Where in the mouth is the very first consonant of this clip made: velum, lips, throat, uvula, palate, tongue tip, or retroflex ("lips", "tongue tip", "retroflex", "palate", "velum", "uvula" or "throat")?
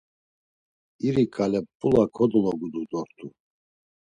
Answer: tongue tip